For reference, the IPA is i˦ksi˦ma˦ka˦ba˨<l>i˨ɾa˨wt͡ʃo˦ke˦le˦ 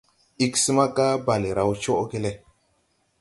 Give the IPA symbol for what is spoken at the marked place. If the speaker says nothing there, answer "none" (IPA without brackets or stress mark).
l